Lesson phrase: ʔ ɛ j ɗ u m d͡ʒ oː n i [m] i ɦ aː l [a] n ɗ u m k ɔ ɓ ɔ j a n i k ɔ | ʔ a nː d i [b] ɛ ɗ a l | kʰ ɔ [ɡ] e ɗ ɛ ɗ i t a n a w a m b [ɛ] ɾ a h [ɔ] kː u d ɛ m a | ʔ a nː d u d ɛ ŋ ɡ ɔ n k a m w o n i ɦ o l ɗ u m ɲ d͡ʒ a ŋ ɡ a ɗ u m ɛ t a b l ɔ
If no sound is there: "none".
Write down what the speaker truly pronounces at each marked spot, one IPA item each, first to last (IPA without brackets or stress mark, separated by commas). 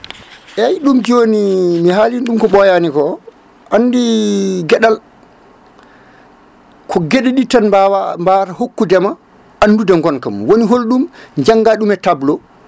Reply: m, i, ɡ, ɡ, a, o